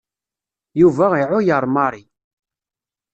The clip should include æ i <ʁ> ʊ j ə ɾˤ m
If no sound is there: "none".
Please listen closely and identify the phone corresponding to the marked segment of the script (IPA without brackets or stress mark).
ʕ